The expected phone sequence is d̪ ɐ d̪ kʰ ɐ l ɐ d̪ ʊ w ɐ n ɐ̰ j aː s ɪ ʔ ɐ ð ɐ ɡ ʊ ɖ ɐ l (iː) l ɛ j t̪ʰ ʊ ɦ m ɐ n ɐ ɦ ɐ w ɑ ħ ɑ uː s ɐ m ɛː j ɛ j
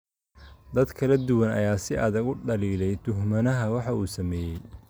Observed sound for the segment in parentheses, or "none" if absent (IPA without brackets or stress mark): iː